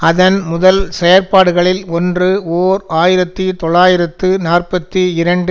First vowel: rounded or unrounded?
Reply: unrounded